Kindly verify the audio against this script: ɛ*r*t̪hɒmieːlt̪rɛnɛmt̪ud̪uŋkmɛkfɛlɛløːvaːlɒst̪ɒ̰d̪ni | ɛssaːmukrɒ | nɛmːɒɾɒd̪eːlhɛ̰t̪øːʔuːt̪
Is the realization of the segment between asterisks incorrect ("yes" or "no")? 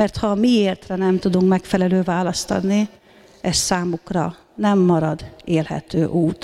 no